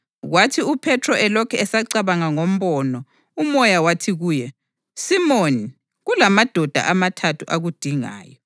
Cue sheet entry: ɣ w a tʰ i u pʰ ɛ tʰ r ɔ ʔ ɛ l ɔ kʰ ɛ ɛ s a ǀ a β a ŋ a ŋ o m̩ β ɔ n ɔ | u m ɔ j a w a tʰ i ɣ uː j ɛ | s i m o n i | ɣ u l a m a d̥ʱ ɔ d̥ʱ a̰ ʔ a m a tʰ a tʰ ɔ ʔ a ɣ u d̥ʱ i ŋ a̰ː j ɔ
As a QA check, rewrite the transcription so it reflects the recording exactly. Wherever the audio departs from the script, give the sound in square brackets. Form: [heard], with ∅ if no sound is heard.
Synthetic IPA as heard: ɣ w a tʰ i u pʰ ɛ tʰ r ɔ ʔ ɛ l ɔ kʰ ɛ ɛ s a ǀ a β a ŋ a ŋ o m̩ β ɔ n ɔ | u m ɔ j a w a tʰ i ɣ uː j ɛ | s i m o n i | ɣ u l a m a d̥ʱ ɔ d̥ʱ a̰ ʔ a m a tʰ a tʰ [u] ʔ a ɣ u d̥ʱ i ŋ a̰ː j ɔ